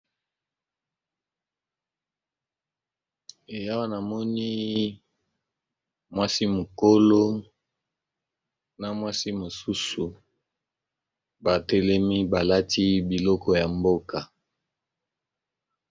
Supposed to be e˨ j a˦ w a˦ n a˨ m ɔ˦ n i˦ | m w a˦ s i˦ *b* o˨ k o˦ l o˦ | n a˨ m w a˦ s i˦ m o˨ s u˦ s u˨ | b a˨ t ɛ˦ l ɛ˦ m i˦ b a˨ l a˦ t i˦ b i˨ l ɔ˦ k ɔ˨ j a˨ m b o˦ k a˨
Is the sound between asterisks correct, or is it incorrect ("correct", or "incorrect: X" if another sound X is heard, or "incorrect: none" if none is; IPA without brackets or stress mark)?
incorrect: m